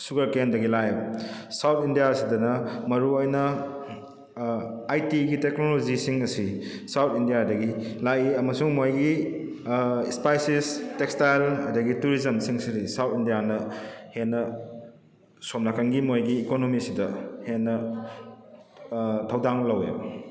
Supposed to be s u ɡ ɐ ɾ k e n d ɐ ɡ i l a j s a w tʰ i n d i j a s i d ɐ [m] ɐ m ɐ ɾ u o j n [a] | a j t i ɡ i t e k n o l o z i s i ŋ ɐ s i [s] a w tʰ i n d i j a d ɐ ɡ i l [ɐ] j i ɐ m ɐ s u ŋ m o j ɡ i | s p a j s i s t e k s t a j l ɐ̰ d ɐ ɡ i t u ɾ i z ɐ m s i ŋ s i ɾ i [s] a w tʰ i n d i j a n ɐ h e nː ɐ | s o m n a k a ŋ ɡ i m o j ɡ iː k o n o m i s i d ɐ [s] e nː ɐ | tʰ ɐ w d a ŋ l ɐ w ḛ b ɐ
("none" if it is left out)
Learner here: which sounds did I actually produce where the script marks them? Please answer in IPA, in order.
n, ɐ, s, a, s, h

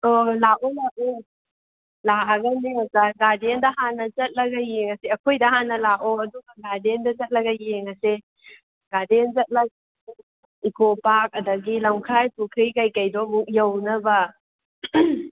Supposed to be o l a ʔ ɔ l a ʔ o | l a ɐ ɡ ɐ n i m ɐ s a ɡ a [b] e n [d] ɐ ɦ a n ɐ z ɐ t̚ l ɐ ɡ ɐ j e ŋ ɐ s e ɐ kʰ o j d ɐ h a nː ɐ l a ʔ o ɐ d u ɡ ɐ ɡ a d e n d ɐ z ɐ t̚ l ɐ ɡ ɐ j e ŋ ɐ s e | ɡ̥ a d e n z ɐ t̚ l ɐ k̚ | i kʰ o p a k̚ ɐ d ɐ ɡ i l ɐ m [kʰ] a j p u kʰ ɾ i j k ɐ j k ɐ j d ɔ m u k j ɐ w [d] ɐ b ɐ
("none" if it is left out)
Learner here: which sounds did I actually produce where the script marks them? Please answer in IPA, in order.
d, d, kʰ, n

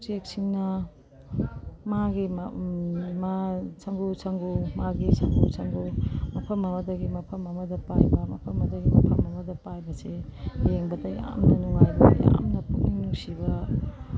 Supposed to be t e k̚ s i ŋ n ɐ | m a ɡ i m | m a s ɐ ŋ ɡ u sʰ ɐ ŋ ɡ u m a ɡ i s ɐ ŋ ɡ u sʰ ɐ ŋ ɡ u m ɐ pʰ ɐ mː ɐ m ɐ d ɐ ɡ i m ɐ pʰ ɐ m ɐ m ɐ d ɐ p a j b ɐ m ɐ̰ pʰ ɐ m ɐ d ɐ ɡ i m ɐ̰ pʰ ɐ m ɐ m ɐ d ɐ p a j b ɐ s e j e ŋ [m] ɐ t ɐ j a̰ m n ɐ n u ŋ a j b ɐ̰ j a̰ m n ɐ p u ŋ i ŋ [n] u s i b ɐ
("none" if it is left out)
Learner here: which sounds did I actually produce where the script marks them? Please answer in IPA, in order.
b, n

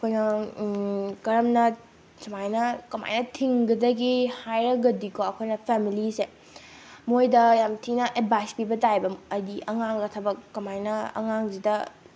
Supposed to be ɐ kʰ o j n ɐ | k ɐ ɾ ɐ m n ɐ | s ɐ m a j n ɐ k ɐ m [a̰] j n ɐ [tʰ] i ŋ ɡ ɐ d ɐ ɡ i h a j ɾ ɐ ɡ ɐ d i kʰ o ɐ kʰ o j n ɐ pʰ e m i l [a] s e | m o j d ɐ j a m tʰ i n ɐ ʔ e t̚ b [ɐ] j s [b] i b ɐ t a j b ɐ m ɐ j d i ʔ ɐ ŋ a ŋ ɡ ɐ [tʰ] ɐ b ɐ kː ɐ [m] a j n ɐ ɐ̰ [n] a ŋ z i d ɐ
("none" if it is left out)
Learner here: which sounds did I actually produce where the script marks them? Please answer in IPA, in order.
a̰, tʰ, i, a, p, tʰ, m, ŋ

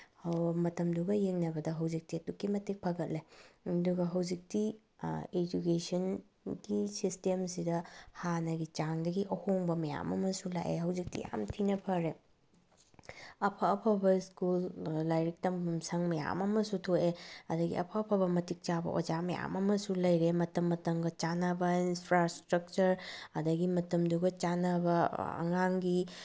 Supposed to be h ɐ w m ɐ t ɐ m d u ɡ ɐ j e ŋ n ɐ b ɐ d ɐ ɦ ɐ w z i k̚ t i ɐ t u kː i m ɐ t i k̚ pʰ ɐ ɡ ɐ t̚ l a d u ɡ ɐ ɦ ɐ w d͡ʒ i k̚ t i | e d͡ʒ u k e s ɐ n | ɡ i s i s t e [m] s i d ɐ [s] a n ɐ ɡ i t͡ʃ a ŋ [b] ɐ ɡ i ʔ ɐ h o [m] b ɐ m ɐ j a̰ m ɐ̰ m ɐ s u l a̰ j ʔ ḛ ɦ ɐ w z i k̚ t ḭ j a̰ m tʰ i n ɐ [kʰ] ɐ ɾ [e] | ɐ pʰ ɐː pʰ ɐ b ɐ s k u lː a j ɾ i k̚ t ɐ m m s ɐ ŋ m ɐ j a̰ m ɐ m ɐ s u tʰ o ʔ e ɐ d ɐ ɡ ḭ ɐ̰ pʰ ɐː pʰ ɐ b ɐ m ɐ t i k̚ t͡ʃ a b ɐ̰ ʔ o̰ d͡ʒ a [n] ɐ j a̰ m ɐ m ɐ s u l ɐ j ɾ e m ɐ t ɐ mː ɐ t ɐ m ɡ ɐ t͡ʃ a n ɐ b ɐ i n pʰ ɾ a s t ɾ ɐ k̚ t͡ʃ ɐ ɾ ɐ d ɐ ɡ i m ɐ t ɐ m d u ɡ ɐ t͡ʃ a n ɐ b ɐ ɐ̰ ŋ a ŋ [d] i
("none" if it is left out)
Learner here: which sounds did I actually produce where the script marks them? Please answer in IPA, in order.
m, h, d, ŋ, pʰ, e, m, ɡ

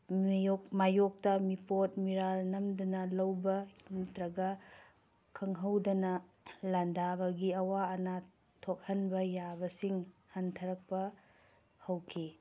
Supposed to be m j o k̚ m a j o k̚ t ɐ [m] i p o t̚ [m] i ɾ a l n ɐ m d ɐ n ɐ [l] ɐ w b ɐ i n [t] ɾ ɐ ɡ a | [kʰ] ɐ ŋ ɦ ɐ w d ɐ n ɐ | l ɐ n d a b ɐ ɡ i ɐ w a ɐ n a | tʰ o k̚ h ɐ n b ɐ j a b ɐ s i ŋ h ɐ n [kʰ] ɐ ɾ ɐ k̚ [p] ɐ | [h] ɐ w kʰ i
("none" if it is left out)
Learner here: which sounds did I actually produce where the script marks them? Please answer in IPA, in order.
m, m, l, t, kʰ, tʰ, p, h

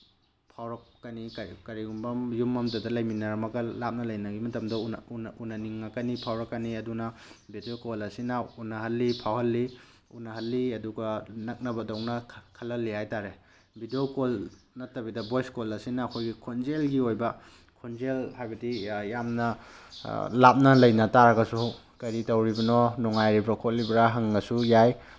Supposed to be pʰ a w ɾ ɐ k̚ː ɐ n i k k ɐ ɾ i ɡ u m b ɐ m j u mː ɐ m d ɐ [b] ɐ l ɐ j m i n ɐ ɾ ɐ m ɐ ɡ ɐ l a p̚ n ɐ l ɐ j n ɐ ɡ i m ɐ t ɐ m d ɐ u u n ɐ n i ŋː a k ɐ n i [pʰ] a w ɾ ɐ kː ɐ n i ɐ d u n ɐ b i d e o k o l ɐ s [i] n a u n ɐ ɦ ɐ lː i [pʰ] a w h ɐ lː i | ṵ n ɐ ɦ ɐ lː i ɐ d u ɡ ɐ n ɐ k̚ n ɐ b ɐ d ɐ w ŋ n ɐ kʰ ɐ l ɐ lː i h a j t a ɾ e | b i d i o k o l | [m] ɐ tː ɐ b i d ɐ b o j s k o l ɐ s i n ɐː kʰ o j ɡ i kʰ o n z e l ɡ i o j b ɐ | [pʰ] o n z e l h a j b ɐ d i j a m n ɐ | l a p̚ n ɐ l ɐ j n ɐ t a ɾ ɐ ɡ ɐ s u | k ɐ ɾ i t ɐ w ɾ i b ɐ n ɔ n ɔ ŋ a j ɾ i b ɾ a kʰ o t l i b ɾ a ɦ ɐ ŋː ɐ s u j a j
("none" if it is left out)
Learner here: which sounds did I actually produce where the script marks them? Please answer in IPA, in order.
d, pʰ, i, pʰ, n, kʰ

